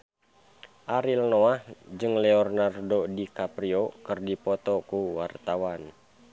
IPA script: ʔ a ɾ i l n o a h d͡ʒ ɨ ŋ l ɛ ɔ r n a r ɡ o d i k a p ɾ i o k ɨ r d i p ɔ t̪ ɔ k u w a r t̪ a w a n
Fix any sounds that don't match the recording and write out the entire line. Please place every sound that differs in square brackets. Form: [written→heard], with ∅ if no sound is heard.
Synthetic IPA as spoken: ʔ a ɾ i l n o a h d͡ʒ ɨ ŋ l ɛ ɔ r n a r [ɡ→d] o d i k a p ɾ i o k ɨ r d i p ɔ t̪ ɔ k u w a r t̪ a w a n